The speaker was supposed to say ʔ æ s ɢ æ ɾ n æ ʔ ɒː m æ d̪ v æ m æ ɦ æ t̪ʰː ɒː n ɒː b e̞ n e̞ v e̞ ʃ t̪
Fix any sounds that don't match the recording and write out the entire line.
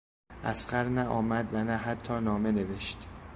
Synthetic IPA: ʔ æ s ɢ æ ɾ n æ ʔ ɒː m æ d̪ v æ n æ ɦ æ t̪ʰː ɒː n ɒː m e̞ n e̞ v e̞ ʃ t̪

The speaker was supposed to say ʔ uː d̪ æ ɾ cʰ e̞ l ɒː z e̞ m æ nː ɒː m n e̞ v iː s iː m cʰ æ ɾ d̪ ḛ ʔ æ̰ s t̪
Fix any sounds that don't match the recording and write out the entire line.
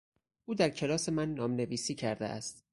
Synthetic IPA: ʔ uː d̪ æ ɾ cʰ e̞ l ɒː s e̞ m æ nː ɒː m n e̞ v iː s iː cʰ æ ɾ d̪ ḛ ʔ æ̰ s t̪

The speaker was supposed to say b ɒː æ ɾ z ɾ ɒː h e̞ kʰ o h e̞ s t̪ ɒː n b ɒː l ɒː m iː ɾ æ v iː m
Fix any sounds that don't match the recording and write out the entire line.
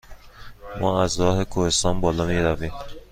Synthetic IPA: m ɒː æ z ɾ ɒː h e̞ kʰ o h e̞ s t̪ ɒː n b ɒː l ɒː m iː ɾ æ v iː m

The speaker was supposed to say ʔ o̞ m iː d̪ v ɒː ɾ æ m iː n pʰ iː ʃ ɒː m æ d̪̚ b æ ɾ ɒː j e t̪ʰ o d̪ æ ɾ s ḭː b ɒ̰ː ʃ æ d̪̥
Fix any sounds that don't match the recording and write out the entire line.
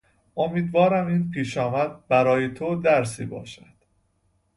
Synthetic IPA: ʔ o̞ m iː d̪ v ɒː ɾ æ m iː n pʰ iː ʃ ɒː m æ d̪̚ b æ ɾ ɒː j e t̪ʰ o d̪ æ ɾ s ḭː b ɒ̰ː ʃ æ d̪̥

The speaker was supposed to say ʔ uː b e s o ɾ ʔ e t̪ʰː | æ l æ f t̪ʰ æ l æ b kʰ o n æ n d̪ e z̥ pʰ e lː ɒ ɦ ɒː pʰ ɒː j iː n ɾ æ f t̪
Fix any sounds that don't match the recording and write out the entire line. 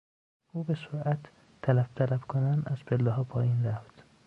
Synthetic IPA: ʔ uː b e s o ɾ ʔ æ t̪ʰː | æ l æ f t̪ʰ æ l æ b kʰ o n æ n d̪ æ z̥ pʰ e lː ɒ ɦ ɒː pʰ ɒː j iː n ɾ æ f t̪

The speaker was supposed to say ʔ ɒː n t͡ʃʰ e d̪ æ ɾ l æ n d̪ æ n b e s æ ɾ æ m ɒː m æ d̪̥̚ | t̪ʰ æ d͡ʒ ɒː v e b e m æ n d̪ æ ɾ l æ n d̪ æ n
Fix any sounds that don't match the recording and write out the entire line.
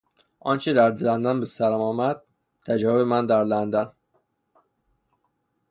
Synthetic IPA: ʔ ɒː n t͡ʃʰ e d̪ æ ɾ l æ n d̪ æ n b e s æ ɾ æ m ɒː m æ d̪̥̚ | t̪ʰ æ d͡ʒ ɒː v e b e m æ n d̪ æ ɾ l æ n d̪ æ n

